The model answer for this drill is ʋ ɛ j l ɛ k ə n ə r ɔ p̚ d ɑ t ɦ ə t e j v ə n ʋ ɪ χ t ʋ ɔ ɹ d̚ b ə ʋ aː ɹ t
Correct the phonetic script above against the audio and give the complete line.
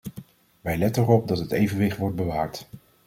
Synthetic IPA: ʋ ɛ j l ɛ t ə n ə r ɔ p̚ d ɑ t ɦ ə t e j v ə n ʋ ɪ χ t ʋ ɔ ɹ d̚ b ə ʋ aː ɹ t